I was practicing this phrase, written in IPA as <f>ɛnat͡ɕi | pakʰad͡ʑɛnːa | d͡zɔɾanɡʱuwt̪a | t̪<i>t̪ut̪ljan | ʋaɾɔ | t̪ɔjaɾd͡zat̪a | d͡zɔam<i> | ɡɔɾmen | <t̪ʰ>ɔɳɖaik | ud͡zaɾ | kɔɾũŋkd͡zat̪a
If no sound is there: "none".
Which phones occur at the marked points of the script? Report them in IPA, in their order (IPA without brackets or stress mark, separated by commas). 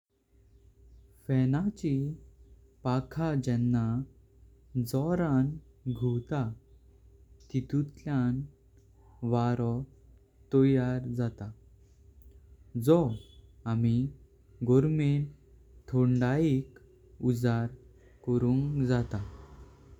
f, i, i, t̪ʰ